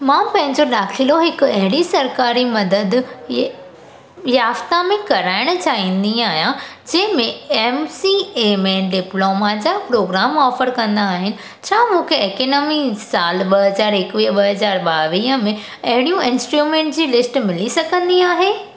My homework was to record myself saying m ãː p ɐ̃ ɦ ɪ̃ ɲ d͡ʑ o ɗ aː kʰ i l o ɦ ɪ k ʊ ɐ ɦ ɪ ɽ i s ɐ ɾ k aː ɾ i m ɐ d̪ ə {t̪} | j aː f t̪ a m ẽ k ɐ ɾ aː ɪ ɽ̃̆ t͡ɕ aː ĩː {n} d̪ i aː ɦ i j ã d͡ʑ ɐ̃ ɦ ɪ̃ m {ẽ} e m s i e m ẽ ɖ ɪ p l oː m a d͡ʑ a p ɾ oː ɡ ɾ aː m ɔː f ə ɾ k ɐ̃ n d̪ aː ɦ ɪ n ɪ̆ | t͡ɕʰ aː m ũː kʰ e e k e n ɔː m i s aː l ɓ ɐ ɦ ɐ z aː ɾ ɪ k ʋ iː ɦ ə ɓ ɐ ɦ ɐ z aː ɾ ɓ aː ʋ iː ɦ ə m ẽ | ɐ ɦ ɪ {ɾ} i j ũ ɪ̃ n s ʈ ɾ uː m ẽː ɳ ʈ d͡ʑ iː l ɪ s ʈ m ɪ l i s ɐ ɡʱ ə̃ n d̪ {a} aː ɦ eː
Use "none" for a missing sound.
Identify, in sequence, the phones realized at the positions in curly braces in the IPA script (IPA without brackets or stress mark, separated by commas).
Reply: d̪, n, ẽ, ɽ, i